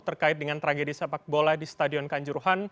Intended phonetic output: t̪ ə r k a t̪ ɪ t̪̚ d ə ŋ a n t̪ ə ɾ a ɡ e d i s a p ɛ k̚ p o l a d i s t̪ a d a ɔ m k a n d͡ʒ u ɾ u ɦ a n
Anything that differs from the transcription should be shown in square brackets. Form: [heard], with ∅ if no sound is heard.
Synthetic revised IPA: t̪ ə r k a [∅] ɪ t̪̚ d ə ŋ a n t̪ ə ɾ a ɡ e d i s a p [a] k̚ [b] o l a d i s t̪ a d [i] ɔ [n] k a [ɲ] d͡ʒ u ɾ u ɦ a n